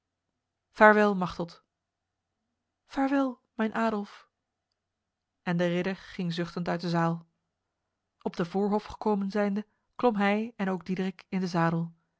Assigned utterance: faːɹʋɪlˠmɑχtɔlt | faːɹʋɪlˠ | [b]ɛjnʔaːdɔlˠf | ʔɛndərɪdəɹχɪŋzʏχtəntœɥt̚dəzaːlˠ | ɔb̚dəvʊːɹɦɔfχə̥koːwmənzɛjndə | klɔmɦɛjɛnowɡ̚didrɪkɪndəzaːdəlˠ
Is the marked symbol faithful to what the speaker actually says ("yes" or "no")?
no